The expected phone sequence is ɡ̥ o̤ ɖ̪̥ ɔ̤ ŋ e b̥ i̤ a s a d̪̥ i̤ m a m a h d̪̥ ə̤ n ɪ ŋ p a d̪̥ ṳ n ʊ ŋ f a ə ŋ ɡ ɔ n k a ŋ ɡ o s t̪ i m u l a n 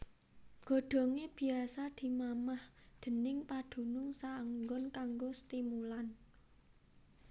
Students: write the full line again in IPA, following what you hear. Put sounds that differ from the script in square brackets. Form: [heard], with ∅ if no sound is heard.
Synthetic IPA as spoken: ɡ̥ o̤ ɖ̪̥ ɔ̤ ŋ e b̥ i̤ a s a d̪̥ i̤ m a m a h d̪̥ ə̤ n ɪ ŋ p a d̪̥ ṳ n ʊ ŋ [s] a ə ŋ ɡ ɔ n k a ŋ ɡ o s t̪ i m u l a n